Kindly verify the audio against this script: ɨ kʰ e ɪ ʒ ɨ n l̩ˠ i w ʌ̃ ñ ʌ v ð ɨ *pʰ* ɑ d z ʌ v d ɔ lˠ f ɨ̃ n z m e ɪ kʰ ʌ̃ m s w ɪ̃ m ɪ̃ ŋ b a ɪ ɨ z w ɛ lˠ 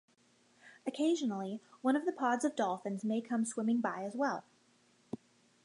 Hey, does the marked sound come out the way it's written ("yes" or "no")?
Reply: yes